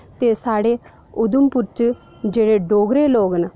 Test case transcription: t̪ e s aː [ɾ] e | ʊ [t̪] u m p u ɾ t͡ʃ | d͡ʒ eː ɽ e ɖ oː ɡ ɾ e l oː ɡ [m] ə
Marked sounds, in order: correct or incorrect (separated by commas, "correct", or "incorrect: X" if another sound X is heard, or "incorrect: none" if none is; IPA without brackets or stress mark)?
incorrect: ɽ, incorrect: d̪, incorrect: n